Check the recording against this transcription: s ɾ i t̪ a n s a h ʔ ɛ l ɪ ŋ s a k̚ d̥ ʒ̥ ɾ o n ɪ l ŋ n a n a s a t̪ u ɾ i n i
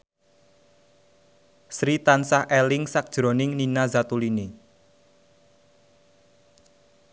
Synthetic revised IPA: s ɾ i t̪ a n s a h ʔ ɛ l ɪ ŋ s a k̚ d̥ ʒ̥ ɾ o n ɪ ŋ n i n a z a t̪ u l i n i